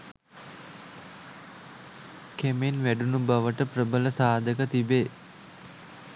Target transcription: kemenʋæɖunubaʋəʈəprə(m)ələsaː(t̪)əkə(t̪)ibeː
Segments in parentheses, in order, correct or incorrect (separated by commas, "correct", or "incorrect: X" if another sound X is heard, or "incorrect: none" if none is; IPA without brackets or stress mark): incorrect: b, incorrect: d̪, correct